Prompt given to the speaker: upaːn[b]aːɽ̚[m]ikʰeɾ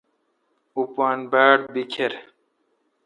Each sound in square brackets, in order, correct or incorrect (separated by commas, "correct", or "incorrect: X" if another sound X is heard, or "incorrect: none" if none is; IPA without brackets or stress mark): correct, incorrect: b